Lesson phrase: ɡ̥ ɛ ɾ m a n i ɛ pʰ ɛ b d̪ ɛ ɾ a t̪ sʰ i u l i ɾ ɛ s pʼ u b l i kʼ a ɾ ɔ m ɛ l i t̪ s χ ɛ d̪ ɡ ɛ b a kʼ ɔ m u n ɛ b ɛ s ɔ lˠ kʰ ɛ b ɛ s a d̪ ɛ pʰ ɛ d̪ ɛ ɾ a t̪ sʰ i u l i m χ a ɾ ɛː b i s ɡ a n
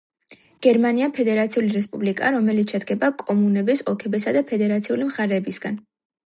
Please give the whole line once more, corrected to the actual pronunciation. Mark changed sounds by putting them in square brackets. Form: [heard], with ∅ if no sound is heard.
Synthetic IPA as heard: ɡ̥ ɛ ɾ m a n i [a] pʰ ɛ [∅] d̪ ɛ ɾ a t̪ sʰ i u l i ɾ ɛ s pʼ u b l i kʼ a ɾ ɔ m ɛ l i t̪ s [ʃ] ɛ d̪ ɡ ɛ b a kʼ ɔ m u n ɛ b ɛ s ɔ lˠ kʰ ɛ b ɛ s a d̪ [a] pʰ ɛ d̪ ɛ ɾ a t̪ sʰ i u l i m χ a ɾ ɛː b i s ɡ a n